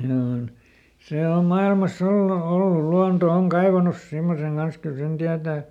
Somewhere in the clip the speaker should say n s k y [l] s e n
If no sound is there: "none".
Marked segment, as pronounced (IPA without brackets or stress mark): l